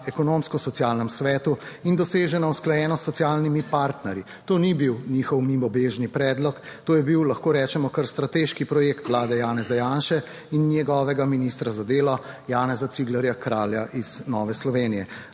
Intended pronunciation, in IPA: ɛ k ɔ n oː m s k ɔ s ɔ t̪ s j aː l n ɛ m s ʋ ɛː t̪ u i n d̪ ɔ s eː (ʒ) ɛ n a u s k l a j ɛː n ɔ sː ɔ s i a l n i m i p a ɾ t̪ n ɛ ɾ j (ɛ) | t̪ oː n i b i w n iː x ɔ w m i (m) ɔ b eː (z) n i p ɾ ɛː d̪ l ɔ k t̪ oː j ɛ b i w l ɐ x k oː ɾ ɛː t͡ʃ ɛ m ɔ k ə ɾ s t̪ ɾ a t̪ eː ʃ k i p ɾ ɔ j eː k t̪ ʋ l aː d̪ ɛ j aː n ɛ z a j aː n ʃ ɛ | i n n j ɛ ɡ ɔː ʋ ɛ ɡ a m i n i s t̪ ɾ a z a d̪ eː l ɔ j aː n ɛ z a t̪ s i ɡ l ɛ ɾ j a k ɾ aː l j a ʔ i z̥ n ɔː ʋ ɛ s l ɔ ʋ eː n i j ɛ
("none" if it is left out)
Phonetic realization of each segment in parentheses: ʒ, i, m, ʒ

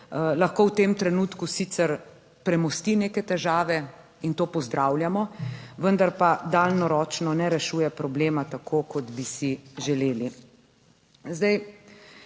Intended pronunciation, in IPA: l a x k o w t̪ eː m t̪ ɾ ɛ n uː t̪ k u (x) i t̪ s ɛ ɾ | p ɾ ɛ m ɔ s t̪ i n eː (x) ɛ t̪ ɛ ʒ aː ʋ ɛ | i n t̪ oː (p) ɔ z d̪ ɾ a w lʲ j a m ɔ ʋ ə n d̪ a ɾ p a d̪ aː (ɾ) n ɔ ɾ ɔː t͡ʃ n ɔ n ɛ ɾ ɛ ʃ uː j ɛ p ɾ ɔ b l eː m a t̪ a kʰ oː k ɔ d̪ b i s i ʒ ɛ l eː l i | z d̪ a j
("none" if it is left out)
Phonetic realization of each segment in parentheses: s, k, p, l

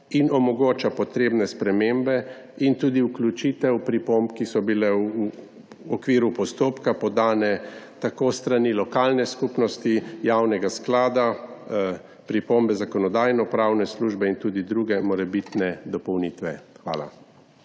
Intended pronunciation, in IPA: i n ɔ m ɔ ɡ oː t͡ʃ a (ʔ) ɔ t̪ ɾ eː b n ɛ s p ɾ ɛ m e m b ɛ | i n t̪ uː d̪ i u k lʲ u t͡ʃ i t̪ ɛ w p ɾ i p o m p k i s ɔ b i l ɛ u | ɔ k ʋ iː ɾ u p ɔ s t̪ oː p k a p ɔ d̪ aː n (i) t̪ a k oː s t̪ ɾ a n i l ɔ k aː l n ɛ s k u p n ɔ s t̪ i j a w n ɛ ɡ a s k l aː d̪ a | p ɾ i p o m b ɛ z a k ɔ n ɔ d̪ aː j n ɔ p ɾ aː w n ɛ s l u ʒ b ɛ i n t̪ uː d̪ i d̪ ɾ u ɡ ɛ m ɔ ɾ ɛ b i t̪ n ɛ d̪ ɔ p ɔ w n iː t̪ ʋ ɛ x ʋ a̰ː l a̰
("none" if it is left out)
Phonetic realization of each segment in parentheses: p, ɛ

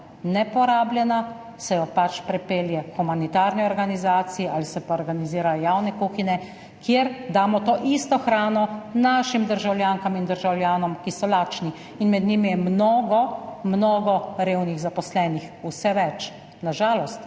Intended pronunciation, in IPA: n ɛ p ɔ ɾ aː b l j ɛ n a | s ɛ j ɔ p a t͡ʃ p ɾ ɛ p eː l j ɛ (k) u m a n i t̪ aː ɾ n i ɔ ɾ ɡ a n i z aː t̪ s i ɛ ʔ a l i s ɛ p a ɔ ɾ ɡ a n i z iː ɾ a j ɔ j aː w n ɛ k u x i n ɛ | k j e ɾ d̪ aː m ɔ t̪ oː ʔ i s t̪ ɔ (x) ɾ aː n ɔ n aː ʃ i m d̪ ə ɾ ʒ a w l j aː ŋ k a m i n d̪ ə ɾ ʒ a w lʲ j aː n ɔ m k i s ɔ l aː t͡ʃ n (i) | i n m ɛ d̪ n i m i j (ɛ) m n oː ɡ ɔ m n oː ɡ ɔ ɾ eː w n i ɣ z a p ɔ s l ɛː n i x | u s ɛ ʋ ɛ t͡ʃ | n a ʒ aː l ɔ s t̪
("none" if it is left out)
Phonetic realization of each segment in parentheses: x, x, i, ɛ

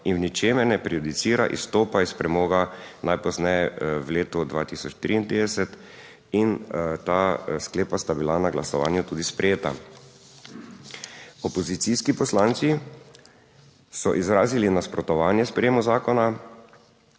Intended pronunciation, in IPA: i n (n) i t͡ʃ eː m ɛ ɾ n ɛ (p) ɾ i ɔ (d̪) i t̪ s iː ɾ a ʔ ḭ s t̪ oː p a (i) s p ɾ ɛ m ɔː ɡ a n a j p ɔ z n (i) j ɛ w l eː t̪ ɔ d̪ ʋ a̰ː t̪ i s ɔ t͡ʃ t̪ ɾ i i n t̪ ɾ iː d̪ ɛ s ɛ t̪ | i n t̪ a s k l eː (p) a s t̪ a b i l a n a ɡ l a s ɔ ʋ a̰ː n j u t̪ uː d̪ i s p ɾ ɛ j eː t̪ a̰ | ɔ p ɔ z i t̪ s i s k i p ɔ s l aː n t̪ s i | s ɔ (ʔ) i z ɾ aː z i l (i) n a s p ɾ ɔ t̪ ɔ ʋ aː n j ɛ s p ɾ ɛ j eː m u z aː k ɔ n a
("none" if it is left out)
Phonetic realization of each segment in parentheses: n, p, d̪, i, ɛ, p, ʔ, i

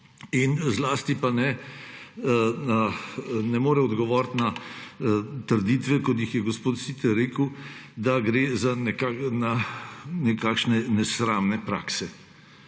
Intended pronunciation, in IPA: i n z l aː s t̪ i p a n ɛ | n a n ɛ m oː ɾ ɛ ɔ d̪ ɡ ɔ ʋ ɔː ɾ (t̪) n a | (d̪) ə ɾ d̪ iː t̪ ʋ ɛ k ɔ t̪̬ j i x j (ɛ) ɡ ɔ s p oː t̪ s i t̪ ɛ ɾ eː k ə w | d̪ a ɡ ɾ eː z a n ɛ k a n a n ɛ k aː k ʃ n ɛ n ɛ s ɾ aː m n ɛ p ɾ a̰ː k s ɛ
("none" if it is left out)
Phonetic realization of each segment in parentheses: t̪, t̪, ɛ

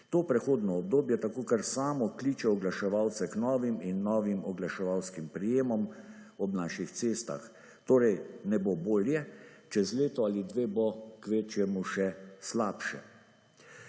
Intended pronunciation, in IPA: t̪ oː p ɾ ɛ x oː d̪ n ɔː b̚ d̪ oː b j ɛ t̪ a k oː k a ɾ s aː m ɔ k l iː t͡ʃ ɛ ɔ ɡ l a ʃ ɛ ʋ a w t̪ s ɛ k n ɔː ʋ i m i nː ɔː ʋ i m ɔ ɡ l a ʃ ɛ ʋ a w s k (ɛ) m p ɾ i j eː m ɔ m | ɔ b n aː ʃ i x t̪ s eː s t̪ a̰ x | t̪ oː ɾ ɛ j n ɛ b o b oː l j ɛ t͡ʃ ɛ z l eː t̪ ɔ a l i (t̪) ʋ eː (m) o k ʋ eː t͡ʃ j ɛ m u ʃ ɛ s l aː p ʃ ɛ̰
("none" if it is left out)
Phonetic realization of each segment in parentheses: i, d̪, b

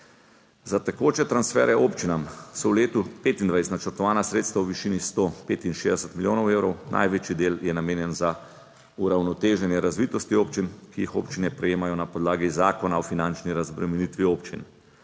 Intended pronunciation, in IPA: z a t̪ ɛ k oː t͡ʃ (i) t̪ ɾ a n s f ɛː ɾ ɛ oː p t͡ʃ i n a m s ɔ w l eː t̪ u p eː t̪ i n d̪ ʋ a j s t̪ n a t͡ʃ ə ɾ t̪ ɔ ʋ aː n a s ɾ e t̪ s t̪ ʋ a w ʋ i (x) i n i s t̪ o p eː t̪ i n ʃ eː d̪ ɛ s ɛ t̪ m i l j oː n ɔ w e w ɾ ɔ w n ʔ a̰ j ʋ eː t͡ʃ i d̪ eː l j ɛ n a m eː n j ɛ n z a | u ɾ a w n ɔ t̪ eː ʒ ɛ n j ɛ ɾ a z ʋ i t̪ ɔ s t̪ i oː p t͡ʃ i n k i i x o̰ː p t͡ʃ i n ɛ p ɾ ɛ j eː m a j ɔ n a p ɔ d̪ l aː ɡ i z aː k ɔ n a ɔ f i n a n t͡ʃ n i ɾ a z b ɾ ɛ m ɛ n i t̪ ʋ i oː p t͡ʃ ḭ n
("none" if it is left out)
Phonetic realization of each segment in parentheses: ɛ, ʃ

